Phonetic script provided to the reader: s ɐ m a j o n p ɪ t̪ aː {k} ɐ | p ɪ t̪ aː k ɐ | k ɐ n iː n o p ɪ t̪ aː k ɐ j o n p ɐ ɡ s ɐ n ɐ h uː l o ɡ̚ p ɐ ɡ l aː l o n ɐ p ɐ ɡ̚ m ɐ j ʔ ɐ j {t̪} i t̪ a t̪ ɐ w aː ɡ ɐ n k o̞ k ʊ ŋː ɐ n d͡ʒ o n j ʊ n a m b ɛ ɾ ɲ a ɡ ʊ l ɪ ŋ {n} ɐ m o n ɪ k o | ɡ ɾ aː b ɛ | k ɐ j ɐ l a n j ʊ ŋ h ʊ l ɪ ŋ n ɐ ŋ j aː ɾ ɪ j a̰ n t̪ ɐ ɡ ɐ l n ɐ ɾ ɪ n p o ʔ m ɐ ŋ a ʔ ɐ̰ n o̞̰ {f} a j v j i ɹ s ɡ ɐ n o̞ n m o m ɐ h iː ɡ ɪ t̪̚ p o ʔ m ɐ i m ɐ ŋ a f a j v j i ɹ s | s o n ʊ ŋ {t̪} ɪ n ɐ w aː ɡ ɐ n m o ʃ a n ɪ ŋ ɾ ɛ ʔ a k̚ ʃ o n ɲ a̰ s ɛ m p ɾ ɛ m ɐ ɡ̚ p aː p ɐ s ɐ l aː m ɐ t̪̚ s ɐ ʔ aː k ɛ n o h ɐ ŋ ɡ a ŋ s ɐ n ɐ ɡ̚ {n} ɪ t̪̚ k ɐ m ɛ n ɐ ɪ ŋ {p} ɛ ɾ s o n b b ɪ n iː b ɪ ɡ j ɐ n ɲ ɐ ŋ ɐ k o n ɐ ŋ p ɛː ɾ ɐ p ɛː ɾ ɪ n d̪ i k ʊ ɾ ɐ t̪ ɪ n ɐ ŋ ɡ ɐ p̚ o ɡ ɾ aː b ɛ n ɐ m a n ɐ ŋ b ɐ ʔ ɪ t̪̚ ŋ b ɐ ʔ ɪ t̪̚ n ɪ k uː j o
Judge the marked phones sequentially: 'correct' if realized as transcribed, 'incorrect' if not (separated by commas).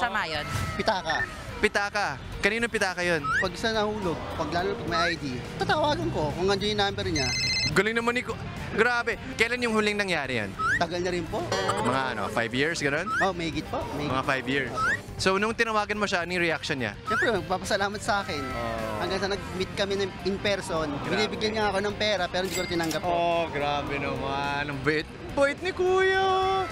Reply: correct, incorrect, correct, correct, correct, incorrect, correct